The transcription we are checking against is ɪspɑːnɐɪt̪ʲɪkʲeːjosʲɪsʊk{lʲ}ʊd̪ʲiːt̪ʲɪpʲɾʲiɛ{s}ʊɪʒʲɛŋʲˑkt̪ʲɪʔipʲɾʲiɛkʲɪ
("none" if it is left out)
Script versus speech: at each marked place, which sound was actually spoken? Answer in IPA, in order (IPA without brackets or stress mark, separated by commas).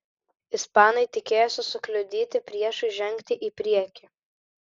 lʲ, ʃ